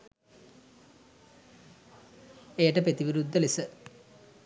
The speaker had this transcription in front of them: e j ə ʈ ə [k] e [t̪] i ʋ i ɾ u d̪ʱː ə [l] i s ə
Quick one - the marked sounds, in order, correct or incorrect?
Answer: incorrect: p, correct, correct

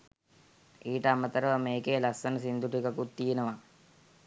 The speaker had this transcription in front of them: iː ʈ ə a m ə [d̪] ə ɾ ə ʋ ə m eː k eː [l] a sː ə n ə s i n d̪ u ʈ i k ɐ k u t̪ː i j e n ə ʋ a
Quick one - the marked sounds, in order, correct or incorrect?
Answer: incorrect: t̪, correct

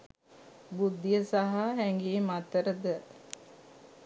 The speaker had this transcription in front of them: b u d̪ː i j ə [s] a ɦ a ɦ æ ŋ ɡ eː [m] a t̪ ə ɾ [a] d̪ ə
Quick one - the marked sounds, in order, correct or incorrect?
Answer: correct, correct, incorrect: ə

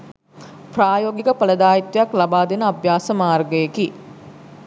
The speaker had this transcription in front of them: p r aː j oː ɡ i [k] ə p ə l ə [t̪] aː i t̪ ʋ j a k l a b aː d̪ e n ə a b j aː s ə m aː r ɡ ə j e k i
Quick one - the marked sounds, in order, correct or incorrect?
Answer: correct, incorrect: d̪

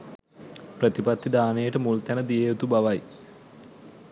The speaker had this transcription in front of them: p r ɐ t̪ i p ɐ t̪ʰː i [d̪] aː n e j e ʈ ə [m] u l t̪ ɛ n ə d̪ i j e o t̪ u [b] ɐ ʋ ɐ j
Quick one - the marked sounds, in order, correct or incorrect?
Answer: correct, correct, correct

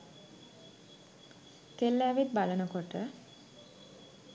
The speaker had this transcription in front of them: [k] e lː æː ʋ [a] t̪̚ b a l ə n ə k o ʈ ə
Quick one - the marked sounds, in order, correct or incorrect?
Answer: correct, incorrect: i

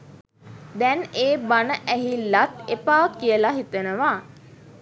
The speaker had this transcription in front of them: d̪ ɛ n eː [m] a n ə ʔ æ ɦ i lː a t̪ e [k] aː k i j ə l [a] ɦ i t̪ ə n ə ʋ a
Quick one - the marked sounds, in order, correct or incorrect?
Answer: incorrect: b, incorrect: p, correct

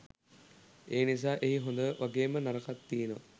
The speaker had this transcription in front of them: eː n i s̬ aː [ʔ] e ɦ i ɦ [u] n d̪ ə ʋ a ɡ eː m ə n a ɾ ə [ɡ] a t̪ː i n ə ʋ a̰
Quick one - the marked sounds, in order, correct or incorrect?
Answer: correct, incorrect: o, incorrect: k

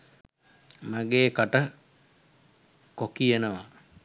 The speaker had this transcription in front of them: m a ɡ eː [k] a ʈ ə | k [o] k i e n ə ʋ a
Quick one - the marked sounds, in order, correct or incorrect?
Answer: correct, correct

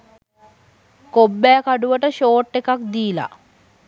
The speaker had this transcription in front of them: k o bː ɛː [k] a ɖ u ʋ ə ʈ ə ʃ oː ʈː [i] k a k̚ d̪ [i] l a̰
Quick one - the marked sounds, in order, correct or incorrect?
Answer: correct, incorrect: e, incorrect: iː

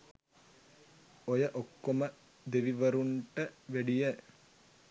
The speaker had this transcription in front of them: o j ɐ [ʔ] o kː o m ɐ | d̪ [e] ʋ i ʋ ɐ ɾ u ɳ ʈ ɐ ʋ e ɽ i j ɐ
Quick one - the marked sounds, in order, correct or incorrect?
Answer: correct, correct

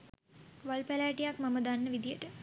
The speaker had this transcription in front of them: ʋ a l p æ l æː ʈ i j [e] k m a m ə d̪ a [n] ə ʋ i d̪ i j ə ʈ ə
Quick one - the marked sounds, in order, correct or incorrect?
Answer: incorrect: a, incorrect: nː

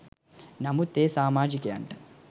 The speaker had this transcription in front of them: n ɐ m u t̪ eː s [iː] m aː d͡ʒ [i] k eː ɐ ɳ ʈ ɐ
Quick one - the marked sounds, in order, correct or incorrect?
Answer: incorrect: aː, correct

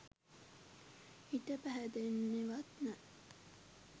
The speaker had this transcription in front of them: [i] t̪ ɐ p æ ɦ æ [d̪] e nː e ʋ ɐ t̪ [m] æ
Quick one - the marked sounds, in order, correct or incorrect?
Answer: correct, correct, incorrect: n

